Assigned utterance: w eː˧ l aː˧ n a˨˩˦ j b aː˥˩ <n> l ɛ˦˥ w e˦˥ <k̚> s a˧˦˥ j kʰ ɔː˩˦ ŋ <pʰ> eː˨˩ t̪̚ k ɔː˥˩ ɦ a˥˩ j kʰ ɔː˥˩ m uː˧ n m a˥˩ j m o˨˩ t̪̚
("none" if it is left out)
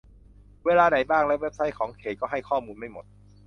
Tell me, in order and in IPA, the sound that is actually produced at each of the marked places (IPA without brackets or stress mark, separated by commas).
ŋ, p̚, kʰ